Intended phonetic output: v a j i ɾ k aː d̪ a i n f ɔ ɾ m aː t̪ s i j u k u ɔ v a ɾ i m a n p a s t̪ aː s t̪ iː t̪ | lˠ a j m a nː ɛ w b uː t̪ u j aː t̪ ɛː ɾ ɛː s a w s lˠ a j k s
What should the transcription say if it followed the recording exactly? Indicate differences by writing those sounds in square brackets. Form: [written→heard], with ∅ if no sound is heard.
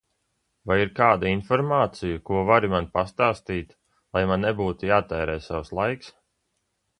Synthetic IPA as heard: v a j i ɾ k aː d̪ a i n f ɔ ɾ m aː t̪ s i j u k u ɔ v a ɾ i m a n p a s t̪ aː s t̪ iː t̪ | lˠ a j m a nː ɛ [w→∅] b uː t̪ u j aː t̪ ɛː ɾ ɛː s a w s lˠ a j k s